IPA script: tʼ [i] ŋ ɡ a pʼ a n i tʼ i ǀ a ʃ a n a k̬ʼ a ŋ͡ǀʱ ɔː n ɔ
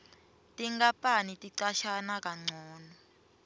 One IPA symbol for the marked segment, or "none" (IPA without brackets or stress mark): i